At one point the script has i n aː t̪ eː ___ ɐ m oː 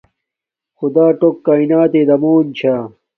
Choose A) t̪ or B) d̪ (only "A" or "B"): B